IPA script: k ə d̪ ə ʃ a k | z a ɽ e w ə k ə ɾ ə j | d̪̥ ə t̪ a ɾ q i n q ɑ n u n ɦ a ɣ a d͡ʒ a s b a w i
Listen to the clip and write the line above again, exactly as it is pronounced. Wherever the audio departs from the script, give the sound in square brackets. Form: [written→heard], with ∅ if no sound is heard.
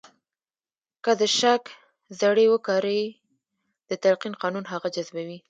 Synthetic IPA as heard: k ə d̪ ə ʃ a k | z a ɽ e w ə k [ə→ɑ] ɾ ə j | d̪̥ ə t̪ a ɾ q i n q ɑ n u n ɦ a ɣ a d͡ʒ a [s→z] b a w i

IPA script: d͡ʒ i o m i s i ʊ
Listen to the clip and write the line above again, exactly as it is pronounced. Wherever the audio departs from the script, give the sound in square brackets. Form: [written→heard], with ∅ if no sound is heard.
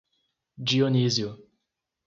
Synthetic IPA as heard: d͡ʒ i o [m→n] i [s→z] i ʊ

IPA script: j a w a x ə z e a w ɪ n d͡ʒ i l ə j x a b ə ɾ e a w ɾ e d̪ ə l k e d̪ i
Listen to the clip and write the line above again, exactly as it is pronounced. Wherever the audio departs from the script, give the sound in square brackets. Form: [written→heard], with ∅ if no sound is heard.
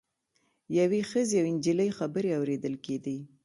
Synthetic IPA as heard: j a w [a→e] x ə z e a w ɪ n d͡ʒ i l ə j x a b ə ɾ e a w ɾ e d̪ ə l k e d̪ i

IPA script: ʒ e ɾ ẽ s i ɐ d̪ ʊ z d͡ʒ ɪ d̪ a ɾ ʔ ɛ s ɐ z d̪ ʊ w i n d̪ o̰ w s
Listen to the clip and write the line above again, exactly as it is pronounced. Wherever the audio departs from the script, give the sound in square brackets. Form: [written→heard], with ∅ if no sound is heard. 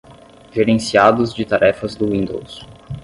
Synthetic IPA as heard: ʒ e ɾ ẽ s i [ɐ→a] d̪ ʊ z d͡ʒ ɪ [d̪→t̪] a ɾ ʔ ɛ [s→f] ɐ z d̪ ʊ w [i→ĩ] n d̪ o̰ w s

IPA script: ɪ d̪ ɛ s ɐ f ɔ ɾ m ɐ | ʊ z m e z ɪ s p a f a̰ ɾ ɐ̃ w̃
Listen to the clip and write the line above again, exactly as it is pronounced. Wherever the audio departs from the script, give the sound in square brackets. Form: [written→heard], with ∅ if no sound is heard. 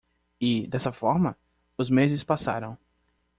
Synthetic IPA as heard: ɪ d̪ ɛ s ɐ f ɔ ɾ m ɐ | ʊ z m e z ɪ s p a [f→s] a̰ ɾ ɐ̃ w̃

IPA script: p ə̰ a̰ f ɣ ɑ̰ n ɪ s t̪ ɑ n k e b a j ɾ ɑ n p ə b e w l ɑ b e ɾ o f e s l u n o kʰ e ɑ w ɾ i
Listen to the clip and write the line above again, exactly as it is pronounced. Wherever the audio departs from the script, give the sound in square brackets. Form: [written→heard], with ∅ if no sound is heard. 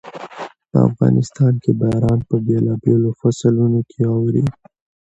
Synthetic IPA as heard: p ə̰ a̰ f ɣ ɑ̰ n ɪ s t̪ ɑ n k e b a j ɾ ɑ n p ə b e [w→∅] l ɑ b e [ɾ→l] o f [e→a] s l u n o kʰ e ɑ w ɾ i

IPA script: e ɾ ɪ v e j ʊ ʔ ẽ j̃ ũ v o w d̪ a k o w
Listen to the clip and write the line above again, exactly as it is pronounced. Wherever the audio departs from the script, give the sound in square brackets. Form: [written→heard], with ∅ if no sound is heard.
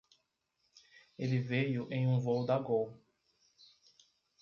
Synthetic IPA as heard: e [ɾ→l] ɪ v e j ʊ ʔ ẽ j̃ ũ v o w d̪ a [k→ɡ] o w

